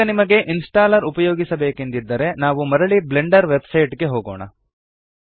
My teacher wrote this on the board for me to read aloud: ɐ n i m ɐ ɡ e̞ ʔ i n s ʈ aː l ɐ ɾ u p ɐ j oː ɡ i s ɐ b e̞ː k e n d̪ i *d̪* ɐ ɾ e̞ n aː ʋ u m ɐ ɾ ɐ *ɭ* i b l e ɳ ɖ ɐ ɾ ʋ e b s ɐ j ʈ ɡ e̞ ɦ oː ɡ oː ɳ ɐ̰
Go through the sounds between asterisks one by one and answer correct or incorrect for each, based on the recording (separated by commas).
incorrect, correct